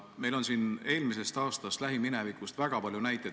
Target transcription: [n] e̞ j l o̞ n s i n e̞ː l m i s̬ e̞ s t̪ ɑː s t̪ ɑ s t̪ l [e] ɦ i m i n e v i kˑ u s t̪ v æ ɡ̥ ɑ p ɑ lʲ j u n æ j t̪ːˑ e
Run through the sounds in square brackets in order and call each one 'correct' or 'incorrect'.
incorrect: m, incorrect: æ

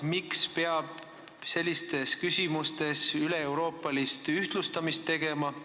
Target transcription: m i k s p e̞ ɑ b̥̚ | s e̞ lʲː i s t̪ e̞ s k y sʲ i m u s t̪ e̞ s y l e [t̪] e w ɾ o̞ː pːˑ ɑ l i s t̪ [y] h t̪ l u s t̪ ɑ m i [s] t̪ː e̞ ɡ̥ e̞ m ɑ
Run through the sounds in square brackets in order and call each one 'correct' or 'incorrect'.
incorrect: none, correct, correct

